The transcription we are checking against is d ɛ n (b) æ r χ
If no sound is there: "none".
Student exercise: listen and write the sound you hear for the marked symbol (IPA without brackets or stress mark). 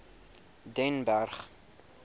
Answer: b